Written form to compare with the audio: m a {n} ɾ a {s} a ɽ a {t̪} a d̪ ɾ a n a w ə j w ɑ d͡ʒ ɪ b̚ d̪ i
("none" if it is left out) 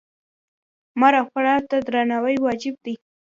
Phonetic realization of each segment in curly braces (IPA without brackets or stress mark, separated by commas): none, x, t̪